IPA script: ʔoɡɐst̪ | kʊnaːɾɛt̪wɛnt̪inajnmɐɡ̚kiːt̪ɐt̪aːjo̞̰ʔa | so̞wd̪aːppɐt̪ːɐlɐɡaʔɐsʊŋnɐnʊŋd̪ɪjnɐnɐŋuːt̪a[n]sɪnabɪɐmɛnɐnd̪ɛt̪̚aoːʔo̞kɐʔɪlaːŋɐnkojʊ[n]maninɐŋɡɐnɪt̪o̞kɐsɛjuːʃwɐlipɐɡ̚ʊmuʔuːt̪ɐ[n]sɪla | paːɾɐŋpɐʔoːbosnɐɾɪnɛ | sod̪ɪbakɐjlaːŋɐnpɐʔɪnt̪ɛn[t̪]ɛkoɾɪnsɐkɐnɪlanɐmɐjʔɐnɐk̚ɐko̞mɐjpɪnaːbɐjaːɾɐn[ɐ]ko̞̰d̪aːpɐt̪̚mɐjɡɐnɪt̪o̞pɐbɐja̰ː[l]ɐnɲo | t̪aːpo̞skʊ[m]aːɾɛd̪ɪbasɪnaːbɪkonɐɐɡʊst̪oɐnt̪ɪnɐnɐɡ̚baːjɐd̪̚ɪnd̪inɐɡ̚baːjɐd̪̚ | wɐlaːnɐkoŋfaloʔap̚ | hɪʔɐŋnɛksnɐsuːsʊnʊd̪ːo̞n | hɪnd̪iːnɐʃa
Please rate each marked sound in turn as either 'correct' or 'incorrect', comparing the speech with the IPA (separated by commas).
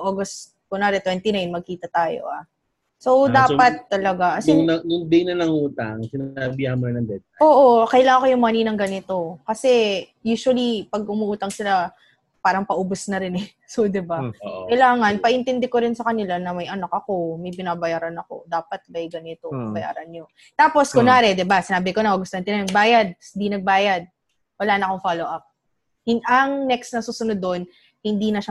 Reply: incorrect, incorrect, incorrect, incorrect, correct, incorrect, incorrect